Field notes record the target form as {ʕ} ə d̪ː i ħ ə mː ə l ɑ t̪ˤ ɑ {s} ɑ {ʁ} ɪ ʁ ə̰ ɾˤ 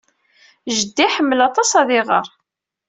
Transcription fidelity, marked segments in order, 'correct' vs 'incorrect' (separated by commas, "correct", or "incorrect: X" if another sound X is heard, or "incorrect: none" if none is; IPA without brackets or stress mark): incorrect: ʒ, correct, incorrect: ð